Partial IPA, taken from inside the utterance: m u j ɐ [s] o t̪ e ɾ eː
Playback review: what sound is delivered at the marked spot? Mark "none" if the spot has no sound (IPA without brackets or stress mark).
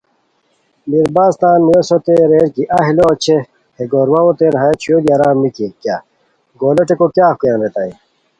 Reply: s